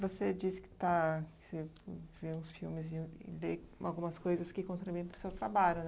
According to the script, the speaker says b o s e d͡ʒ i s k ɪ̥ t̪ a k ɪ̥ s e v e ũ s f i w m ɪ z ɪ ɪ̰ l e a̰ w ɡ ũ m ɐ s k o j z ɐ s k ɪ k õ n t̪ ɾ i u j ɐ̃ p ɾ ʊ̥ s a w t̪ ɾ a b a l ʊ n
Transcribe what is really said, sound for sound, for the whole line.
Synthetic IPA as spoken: v o s e d͡ʒ i s k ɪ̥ t̪ a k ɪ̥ s e v e ũ s f i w m ɪ z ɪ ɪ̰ l e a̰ w ɡ ũ m ɐ s k o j z ɐ s k ɪ k õ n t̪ ɾ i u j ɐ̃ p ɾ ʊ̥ s e w t̪ ɾ a b a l ʊ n